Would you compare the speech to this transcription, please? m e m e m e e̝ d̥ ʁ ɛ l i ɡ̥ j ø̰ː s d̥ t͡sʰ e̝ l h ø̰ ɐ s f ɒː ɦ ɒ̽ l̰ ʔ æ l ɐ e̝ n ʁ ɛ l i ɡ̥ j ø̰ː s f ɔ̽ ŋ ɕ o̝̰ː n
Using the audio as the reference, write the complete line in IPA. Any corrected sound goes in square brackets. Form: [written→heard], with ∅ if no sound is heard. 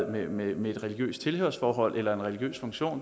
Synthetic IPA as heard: m e m e m e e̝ d̥ ʁ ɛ l i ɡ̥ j ø̰ː s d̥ t͡sʰ e̝ l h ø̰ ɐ s f ɒː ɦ ɒ̽ l̰ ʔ [æ→e] l ɐ e̝ n ʁ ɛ l i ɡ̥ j ø̰ː s f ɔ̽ ŋ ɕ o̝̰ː n